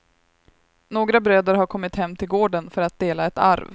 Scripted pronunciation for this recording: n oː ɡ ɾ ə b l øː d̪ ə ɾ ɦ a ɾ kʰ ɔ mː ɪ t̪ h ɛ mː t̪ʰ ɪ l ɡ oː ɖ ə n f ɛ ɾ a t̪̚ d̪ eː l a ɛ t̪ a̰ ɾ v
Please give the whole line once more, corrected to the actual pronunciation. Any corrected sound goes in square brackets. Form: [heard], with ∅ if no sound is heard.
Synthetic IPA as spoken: n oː ɡ ɾ [a] b [ɾ] øː d̪ ə ɾ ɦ a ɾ kʰ ɔ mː ɪ t̪ h ɛ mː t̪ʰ ɪ l ɡ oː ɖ ə n f [œ] ɾ a t̪̚ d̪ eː l a ɛ t̪ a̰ ɾ v